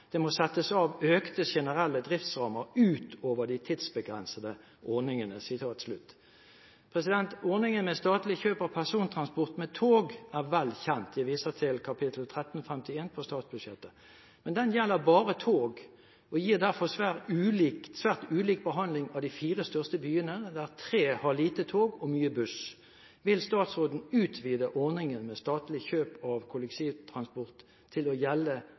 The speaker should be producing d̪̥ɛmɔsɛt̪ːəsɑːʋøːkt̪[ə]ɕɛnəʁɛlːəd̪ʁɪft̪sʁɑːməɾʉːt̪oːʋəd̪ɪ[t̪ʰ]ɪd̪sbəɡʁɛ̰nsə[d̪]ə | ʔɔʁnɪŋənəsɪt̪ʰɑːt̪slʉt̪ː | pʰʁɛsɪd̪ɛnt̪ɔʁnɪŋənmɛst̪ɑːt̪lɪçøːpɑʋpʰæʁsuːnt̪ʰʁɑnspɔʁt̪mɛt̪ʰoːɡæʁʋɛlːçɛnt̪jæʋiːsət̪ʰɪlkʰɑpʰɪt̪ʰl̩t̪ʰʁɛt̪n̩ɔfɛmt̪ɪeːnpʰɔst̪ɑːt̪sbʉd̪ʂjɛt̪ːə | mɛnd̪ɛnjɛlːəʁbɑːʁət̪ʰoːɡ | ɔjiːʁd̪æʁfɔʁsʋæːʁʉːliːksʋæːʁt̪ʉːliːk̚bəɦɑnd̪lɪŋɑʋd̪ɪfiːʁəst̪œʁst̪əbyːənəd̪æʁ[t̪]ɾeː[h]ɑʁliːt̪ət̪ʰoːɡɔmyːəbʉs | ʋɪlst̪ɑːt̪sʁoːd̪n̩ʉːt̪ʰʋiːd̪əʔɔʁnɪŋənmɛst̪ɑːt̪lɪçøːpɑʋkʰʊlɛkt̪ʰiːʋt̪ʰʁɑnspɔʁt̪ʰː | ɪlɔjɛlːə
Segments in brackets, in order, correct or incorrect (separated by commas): correct, correct, correct, incorrect, correct